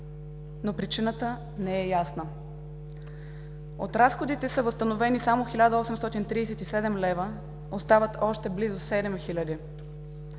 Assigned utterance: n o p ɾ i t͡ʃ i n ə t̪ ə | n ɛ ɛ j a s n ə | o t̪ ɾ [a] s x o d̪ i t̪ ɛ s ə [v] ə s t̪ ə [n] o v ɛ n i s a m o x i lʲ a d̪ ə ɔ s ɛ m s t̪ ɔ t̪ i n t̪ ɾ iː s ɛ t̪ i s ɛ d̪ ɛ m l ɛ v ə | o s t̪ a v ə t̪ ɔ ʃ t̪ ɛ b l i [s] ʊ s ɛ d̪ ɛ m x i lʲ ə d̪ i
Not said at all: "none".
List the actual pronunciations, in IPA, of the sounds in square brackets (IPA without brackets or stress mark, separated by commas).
a, v, n, z